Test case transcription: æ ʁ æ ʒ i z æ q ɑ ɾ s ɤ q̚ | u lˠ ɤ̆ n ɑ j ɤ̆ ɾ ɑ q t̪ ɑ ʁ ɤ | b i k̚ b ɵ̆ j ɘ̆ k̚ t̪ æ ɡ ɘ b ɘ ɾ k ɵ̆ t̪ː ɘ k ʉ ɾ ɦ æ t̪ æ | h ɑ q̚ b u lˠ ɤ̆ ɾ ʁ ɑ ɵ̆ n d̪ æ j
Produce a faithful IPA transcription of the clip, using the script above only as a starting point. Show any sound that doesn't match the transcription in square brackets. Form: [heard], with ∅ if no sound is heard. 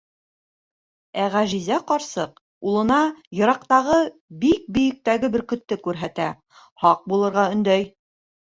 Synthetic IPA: æ ʁ æ ʒ i z æ q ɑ ɾ s ɤ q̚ | u lˠ ɤ̆ n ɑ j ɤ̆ ɾ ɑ q t̪ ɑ ʁ ɤ | b i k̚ b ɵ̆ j ɘ̆ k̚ t̪ æ ɡ ɘ b ɘ ɾ k ɵ̆ t̪ː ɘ k ʉ ɾ ɦ æ t̪ æ | h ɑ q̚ b u lˠ ɤ̆ ɾ ʁ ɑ ɵ̆ n d̪ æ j